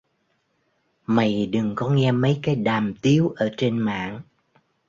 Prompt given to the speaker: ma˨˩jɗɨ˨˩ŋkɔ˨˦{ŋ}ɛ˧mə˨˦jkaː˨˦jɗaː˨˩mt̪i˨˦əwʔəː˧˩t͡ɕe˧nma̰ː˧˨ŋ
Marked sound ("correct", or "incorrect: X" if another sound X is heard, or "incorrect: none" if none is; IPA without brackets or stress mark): correct